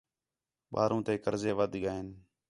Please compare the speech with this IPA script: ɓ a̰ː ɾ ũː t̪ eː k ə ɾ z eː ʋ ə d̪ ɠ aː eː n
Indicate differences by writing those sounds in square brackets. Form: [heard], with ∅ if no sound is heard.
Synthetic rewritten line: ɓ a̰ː ɾ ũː t̪ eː k ə ɾ z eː ʋ ə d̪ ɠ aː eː n